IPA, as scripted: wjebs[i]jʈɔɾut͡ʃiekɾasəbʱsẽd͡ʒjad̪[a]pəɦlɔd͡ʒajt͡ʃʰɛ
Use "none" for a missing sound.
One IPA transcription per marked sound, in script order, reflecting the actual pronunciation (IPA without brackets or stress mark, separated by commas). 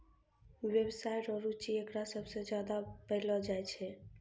a, a